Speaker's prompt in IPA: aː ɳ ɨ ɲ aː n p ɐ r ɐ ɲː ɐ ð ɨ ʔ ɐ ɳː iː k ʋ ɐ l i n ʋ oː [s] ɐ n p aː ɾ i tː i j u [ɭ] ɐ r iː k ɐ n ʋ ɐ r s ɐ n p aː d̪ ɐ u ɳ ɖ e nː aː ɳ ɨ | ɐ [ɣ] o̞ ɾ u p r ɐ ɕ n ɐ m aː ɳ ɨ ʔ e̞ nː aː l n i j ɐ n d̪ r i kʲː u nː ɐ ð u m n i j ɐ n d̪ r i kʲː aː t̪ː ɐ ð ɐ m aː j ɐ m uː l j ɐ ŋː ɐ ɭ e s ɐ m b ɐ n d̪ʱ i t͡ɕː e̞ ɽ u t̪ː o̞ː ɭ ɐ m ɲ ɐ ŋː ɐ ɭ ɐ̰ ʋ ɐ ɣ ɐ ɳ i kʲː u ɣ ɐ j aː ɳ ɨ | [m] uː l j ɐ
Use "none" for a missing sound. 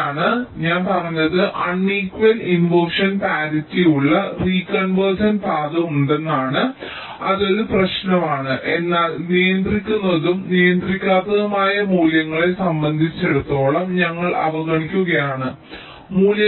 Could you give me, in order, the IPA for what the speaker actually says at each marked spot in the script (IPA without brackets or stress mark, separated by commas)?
ʂ, ɭː, ð, m